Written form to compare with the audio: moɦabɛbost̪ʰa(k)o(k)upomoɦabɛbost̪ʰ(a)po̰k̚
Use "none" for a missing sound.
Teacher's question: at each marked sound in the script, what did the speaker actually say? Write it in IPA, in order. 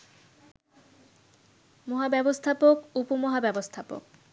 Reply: p, k, a

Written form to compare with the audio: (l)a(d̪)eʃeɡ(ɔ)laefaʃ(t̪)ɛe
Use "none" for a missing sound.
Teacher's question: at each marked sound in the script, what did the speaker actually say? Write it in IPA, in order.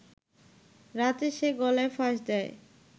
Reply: ɾ, t̪, ɔ, d̪

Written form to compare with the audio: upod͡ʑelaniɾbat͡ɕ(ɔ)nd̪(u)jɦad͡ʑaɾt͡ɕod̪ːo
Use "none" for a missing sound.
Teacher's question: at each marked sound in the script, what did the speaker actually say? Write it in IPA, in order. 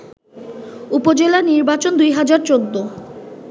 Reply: o, u

